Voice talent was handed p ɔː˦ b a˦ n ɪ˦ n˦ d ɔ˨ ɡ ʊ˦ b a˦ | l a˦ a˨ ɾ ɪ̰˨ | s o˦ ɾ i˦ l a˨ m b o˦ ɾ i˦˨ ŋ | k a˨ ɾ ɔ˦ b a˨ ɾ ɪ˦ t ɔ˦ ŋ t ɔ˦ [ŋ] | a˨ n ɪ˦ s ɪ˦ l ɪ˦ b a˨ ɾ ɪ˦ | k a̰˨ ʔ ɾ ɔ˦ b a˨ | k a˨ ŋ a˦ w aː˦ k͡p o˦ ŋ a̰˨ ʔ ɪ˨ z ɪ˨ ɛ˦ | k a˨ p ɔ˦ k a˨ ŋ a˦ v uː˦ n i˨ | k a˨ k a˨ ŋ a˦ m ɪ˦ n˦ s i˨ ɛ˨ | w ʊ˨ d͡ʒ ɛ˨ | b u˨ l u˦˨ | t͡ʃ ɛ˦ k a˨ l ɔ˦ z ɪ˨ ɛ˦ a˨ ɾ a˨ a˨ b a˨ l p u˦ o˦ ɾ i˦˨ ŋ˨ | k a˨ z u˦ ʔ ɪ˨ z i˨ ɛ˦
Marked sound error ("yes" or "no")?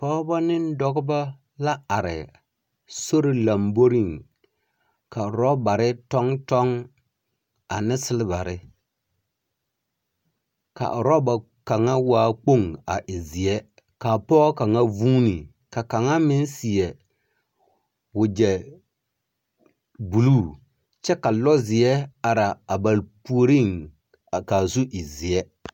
no